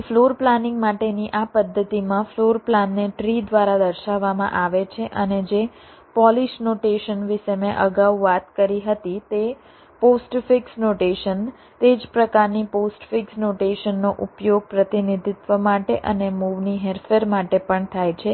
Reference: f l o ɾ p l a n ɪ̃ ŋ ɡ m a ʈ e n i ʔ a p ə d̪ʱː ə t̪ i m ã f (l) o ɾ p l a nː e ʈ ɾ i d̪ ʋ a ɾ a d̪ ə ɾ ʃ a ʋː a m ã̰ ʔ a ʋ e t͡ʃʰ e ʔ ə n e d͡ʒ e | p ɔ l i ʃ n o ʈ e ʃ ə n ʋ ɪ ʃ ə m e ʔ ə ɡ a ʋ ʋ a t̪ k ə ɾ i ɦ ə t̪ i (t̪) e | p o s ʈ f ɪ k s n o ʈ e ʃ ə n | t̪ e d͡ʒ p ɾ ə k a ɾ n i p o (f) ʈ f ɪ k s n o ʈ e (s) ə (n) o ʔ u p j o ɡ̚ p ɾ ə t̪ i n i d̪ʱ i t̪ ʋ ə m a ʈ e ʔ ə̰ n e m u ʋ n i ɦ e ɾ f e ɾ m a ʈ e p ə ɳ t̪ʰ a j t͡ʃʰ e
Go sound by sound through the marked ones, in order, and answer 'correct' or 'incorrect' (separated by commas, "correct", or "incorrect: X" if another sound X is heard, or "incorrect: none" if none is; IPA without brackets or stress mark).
correct, correct, incorrect: s, incorrect: ʃ, incorrect: nː